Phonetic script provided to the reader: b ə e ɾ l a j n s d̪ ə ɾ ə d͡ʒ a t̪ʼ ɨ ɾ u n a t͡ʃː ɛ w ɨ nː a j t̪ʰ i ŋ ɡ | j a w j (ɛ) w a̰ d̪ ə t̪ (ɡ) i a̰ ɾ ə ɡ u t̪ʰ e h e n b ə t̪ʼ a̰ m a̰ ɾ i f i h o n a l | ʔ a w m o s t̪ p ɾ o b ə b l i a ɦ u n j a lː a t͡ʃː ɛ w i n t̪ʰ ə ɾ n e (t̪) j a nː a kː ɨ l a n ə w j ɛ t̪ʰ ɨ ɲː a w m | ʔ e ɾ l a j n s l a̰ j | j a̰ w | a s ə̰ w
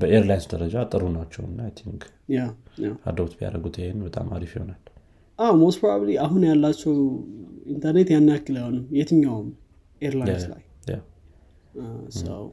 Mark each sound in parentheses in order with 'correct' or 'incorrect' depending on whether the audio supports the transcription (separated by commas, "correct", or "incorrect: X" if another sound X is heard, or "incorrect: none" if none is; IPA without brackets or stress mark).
incorrect: a, incorrect: b, correct